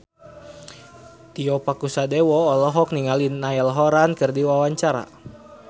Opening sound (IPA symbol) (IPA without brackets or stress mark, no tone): t̪